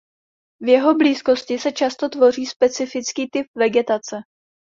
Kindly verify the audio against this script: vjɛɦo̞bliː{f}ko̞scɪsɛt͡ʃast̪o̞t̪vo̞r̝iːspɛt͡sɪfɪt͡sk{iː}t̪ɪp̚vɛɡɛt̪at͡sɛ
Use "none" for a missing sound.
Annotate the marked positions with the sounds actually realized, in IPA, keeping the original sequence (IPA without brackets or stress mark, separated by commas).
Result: s, iː